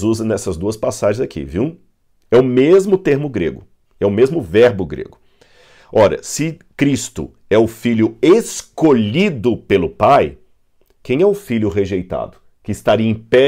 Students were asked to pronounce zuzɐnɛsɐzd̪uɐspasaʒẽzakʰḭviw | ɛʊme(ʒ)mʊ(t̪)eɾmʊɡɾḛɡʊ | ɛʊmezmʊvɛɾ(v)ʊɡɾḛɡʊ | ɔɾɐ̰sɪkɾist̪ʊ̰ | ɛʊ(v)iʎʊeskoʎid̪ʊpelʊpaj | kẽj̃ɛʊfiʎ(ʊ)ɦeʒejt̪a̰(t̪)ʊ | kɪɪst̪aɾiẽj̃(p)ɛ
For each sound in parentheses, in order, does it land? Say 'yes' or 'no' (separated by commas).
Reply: no, yes, no, no, yes, no, yes